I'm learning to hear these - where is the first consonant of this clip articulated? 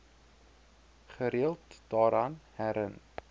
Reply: uvula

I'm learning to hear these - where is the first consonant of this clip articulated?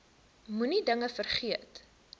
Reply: lips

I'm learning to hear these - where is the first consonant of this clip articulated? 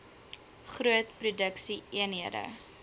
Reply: uvula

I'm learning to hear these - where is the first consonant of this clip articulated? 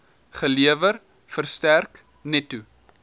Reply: uvula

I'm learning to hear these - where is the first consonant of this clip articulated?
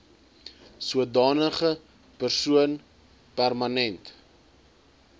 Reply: tongue tip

